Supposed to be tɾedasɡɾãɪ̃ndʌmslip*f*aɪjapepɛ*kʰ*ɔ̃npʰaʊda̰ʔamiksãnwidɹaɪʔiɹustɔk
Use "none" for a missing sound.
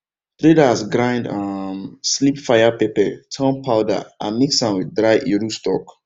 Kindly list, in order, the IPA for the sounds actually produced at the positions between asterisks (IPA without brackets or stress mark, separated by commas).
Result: f, tʰ